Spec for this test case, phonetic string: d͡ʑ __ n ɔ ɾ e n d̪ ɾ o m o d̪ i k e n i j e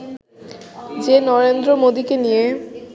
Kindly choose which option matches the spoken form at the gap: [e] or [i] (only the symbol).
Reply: e